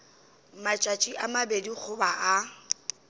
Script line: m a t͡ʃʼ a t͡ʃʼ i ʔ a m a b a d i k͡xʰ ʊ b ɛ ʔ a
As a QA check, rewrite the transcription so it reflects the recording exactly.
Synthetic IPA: m a t͡ʃʼ a t͡ʃʼ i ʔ a m a b e d i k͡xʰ ʊ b a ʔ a